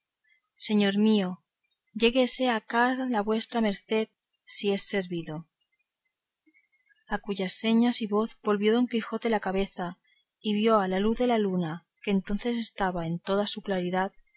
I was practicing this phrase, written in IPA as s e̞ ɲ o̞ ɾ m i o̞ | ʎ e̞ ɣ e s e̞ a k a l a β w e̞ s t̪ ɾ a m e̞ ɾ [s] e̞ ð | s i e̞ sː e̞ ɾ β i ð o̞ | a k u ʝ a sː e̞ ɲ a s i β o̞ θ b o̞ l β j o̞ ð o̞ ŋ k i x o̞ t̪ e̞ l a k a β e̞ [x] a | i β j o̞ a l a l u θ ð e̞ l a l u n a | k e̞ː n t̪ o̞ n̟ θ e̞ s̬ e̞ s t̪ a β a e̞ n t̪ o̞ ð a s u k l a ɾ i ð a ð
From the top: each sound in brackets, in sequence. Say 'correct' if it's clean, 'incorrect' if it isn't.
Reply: incorrect: θ, incorrect: θ

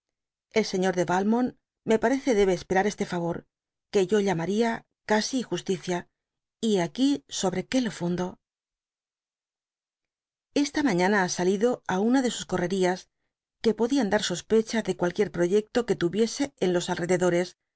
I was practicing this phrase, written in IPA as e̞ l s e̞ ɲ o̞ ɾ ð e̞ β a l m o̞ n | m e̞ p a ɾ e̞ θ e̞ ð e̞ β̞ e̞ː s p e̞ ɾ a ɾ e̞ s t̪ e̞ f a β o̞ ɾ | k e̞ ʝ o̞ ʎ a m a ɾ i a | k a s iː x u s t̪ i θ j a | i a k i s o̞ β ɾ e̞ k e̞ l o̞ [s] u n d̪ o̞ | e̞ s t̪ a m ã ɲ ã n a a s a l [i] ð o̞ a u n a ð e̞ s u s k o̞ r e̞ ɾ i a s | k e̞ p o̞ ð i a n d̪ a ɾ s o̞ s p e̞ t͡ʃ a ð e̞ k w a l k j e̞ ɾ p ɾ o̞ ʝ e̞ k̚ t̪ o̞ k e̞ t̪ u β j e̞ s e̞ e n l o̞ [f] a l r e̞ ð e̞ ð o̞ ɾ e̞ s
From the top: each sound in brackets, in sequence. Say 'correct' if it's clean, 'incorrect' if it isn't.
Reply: incorrect: f, correct, incorrect: s

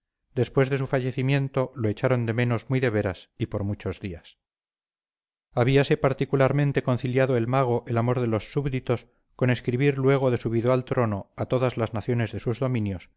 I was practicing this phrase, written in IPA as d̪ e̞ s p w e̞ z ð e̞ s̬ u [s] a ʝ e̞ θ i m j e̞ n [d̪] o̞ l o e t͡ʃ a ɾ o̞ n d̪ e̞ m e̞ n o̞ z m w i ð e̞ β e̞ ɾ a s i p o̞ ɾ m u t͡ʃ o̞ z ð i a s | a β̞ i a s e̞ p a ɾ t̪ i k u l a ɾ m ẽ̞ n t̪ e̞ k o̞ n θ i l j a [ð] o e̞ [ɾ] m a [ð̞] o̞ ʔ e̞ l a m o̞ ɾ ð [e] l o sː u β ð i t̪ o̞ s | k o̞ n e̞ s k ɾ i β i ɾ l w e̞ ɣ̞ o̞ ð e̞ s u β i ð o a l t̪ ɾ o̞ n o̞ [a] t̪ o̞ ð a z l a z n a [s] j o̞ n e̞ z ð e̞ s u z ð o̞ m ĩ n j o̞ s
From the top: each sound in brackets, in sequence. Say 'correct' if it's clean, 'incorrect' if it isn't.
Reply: incorrect: f, incorrect: t̪, correct, incorrect: l, incorrect: ɣ̞, correct, correct, incorrect: θ

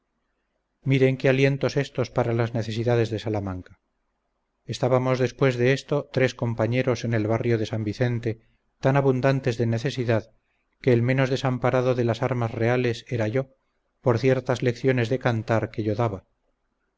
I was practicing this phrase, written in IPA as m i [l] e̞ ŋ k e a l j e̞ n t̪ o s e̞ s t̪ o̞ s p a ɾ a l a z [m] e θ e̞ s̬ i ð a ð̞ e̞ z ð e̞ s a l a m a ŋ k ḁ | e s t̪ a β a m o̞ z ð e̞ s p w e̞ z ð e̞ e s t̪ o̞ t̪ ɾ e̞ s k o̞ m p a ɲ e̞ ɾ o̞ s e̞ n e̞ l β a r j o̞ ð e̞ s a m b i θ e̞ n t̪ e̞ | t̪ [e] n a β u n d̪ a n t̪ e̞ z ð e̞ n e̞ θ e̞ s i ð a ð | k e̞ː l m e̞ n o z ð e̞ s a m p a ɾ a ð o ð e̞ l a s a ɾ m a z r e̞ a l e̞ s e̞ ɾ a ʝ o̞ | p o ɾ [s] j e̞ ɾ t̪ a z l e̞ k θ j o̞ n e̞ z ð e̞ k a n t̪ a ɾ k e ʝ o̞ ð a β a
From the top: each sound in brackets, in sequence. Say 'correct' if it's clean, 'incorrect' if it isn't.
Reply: incorrect: ɾ, incorrect: n, incorrect: a, incorrect: θ

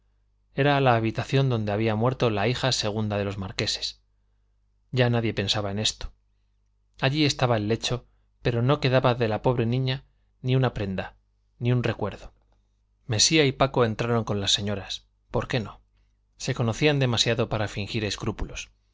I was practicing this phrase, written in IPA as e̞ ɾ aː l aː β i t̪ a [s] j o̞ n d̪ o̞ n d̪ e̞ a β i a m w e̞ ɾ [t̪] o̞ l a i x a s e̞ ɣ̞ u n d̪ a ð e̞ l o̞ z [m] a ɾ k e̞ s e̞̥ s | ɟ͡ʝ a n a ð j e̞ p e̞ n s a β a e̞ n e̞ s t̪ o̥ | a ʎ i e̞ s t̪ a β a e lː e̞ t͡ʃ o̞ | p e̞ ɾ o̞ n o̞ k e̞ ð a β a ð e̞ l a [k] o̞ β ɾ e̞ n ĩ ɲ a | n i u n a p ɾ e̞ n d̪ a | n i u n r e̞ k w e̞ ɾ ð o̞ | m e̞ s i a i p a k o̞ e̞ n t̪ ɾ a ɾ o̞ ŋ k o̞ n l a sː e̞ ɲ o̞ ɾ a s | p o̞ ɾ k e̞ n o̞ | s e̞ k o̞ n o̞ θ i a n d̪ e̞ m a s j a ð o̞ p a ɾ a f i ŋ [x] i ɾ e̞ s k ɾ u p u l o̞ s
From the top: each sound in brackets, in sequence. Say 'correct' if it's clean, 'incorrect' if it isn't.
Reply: incorrect: θ, correct, correct, incorrect: p, correct

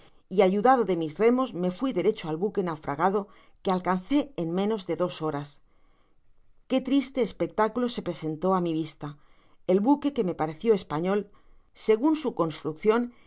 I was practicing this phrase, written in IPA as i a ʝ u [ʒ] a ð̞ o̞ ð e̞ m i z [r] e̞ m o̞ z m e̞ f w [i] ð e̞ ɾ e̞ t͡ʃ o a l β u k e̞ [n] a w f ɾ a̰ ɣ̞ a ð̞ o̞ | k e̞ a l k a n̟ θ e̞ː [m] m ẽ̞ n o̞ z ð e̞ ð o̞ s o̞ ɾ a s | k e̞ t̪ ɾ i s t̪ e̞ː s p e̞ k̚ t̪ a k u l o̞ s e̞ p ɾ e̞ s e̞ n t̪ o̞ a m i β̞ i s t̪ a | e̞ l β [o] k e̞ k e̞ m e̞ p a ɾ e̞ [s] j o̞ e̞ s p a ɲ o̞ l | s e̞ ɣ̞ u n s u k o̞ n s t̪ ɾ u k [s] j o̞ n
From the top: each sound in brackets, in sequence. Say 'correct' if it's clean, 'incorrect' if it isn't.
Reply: incorrect: ð, correct, correct, correct, incorrect: n, incorrect: u, incorrect: θ, incorrect: θ

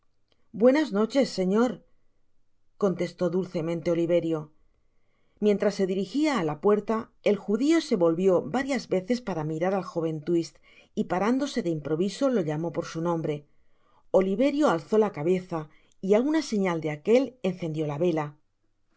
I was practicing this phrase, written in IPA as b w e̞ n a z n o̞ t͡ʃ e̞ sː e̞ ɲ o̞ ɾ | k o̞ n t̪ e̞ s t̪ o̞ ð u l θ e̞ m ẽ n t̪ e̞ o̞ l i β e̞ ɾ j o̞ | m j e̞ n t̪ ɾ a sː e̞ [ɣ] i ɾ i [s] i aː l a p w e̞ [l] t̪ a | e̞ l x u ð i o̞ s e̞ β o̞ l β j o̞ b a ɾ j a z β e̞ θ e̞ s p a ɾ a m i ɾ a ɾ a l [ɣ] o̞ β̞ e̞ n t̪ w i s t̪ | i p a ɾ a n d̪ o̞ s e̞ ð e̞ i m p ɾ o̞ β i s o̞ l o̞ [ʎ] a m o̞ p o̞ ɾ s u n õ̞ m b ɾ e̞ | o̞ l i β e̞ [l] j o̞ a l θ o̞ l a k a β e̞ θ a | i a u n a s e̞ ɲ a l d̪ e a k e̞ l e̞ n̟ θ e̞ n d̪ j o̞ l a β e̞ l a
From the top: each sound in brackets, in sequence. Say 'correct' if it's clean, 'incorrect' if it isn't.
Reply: incorrect: ð, incorrect: x, incorrect: ɾ, incorrect: x, correct, incorrect: ɾ

